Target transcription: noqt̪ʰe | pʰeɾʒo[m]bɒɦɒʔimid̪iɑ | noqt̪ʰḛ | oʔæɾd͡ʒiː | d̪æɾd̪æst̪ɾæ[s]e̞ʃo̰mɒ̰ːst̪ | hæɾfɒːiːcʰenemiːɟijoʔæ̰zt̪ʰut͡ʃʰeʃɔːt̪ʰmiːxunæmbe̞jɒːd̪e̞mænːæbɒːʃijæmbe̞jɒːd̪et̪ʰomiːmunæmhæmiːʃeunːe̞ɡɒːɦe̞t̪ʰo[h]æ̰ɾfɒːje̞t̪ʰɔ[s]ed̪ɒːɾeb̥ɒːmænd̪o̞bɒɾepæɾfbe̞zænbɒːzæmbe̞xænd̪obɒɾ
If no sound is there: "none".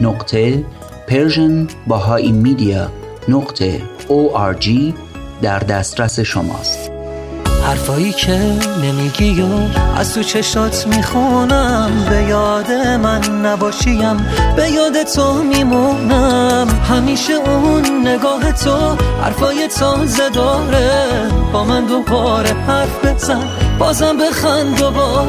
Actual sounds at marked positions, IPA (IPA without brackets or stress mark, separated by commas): n, s, h, z